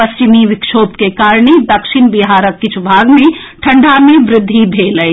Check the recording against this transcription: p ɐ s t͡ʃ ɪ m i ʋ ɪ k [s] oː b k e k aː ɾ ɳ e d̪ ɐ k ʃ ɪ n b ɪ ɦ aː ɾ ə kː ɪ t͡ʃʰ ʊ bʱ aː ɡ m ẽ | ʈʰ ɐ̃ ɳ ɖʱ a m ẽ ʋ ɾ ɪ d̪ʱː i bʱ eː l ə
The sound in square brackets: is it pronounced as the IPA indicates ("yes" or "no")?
no